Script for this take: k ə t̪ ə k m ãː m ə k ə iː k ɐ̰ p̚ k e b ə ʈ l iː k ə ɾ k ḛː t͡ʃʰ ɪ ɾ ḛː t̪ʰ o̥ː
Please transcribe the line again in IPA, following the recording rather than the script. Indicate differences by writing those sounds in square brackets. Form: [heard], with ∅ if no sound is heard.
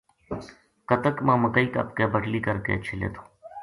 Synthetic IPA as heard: k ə t̪ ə k m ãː m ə k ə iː k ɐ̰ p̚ k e b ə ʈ l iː k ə ɾ k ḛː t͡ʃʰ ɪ [l] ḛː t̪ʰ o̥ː